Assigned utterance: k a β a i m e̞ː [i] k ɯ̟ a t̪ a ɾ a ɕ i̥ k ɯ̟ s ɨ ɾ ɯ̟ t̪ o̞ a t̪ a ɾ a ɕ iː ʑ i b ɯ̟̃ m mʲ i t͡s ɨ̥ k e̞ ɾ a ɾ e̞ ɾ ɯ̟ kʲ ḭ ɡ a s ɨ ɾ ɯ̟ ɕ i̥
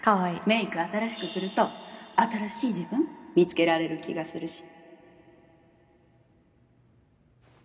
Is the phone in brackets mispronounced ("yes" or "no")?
no